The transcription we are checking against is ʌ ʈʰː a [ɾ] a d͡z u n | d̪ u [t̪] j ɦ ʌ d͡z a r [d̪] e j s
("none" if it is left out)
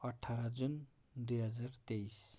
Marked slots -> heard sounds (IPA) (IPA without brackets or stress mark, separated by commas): ɾ, none, t̪